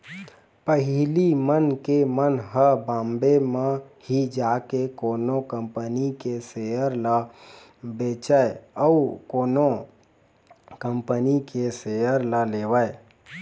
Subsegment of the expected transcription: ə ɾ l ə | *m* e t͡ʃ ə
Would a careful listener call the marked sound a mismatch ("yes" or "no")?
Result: yes